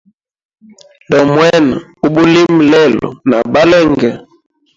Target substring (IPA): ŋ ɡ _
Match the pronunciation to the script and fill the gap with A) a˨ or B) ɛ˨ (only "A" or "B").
B